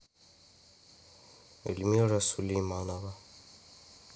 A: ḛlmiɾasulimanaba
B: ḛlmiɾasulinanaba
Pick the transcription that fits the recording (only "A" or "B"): A